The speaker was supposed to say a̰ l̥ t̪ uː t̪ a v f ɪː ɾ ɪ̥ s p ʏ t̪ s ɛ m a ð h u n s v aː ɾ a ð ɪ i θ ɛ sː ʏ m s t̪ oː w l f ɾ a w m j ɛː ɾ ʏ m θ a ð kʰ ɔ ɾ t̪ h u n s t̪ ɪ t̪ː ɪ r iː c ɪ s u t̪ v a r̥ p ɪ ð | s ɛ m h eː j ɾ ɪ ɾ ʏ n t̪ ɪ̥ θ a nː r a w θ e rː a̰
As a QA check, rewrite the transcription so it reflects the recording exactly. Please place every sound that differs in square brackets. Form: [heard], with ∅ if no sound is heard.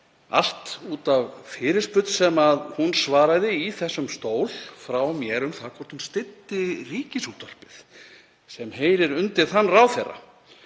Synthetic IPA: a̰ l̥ t̪ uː t̪ a v f ɪː ɾ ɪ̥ s p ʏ t̪ s ɛ m a ð h u n s v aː ɾ a ð ɪ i θ ɛ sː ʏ m s t̪ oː w l f ɾ a w m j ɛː ɾ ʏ m θ a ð kʰ ɔ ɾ t̪ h u n s t̪ ɪ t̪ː ɪ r iː c ɪ s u t̪ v a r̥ p ɪ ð | s ɛ m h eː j ɾ ɪ ɾ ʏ n t̪ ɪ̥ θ a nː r a w θ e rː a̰